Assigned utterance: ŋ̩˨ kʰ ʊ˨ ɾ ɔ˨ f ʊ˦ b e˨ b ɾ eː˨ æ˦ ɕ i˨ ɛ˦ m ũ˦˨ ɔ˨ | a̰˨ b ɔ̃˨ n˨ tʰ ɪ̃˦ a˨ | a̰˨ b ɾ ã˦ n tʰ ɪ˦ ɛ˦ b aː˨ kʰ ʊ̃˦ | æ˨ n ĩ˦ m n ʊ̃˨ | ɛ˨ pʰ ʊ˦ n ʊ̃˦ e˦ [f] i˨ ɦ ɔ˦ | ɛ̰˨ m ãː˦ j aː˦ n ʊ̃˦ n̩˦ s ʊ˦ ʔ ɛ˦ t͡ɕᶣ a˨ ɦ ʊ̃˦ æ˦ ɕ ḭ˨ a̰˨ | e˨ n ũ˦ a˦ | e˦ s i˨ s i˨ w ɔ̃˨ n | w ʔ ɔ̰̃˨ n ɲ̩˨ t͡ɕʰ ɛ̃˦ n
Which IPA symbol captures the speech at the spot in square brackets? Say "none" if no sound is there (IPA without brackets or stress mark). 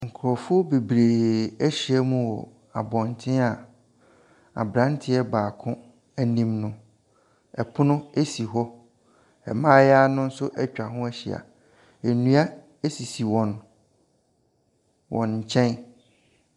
s